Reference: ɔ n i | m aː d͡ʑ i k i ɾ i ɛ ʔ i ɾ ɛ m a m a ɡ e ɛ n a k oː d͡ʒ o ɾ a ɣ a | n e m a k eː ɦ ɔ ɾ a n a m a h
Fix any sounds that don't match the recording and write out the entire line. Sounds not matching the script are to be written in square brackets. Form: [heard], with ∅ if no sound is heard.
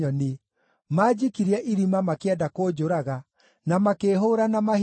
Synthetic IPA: ɔ n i | m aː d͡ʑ i k i ɾ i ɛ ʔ i ɾ [i] m a m a [k] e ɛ [d] a k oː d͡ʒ o ɾ a ɣ a | n [a] m a k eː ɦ [o] ɾ a n a m a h